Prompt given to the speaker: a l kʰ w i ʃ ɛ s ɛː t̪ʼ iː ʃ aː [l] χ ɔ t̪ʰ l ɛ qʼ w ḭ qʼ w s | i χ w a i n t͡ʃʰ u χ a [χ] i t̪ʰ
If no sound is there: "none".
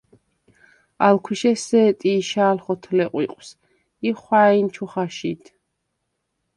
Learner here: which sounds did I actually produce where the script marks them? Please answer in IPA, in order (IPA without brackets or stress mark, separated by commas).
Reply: l, ʃ